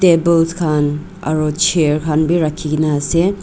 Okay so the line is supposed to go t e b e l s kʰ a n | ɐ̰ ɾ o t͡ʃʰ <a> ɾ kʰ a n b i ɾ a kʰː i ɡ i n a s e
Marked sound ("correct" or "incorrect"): incorrect